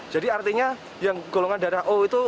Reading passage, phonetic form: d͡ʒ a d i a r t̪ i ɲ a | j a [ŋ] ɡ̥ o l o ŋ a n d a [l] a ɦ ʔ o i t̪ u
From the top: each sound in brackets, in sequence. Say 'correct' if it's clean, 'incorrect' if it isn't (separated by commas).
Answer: correct, incorrect